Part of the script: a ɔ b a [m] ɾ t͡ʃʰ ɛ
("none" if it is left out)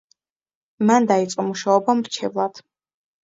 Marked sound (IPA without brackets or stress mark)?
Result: m